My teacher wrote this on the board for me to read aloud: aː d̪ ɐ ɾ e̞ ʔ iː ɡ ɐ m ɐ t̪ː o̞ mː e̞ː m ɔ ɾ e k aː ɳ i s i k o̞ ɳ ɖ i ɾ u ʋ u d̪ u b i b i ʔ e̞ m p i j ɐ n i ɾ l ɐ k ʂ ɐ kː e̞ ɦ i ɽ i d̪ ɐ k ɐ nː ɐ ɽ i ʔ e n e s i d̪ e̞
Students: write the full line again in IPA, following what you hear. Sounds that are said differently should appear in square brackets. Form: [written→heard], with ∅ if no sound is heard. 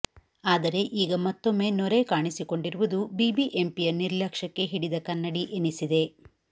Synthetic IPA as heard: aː d̪ ɐ ɾ e̞ ʔ iː ɡ ɐ m ɐ t̪ː o̞ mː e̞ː [m→n] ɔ ɾ e k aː ɳ i s i k o̞ ɳ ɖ i ɾ u ʋ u d̪ u b i b i ʔ e̞ m p i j ɐ n i ɾ l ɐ k ʂ ɐ kː e̞ ɦ i ɽ i d̪ ɐ k ɐ nː ɐ ɽ i ʔ e n [e→i] s i d̪ e̞

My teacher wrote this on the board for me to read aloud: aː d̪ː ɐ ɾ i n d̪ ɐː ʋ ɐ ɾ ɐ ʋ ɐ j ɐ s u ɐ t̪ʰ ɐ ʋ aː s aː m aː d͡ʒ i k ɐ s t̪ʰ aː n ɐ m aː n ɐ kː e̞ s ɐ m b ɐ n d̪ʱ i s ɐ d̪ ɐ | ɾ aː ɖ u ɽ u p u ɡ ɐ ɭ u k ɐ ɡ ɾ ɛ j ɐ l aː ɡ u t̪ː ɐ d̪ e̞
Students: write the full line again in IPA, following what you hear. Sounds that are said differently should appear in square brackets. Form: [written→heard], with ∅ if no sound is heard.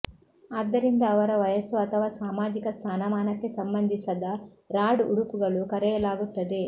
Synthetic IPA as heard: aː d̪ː ɐ ɾ i n d̪ ɐː ʋ ɐ ɾ ɐ ʋ ɐ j ɐ s u ɐ t̪ʰ ɐ ʋ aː s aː m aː d͡ʒ i k ɐ s t̪ʰ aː n ɐ m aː n ɐ kː e̞ s ɐ m b ɐ n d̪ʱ i s ɐ d̪ ɐ | ɾ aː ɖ u ɽ u p u ɡ ɐ ɭ u k ɐ [ɡ→∅] ɾ ɛ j ɐ l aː ɡ u t̪ː ɐ d̪ e̞

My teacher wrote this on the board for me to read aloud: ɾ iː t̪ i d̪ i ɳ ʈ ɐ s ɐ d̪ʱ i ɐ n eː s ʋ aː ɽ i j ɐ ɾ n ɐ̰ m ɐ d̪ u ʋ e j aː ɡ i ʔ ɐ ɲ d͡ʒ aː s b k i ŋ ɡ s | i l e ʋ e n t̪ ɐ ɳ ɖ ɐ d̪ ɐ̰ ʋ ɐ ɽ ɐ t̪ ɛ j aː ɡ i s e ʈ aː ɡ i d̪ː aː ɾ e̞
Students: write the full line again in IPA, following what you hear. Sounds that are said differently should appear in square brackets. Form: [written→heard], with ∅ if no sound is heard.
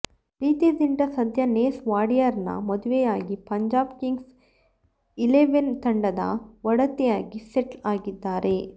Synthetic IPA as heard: ɾ iː t̪ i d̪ i ɳ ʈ ɐ s ɐ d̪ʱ [i→j] ɐ n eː s ʋ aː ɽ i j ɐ ɾ n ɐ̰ m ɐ d̪ u ʋ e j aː ɡ i [ʔ→p] ɐ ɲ d͡ʒ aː [s→∅] b k i ŋ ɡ s | i l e ʋ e n t̪ ɐ ɳ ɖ ɐ d̪ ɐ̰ ʋ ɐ ɽ ɐ t̪ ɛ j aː ɡ i s e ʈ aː ɡ i d̪ː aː ɾ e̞

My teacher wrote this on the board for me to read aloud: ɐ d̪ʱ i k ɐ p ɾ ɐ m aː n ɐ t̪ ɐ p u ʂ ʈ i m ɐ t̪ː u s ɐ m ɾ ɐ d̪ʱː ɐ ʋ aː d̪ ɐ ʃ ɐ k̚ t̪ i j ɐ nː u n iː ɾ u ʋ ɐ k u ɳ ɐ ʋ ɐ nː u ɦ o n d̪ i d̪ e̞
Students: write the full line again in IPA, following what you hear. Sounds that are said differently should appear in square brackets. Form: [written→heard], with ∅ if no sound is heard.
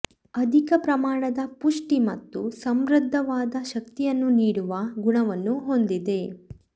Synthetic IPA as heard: ɐ d̪ʱ i k ɐ p ɾ ɐ m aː [n→ɳ] ɐ [t̪→d̪] ɐ p u ʂ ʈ i m ɐ t̪ː u s ɐ m ɾ ɐ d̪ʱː ɐ ʋ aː d̪ ɐ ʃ ɐ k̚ t̪ i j ɐ nː u n iː [ɾ→ɽ] u ʋ ɐ [k→ɡ] u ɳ ɐ ʋ ɐ nː u ɦ o n d̪ i d̪ e̞

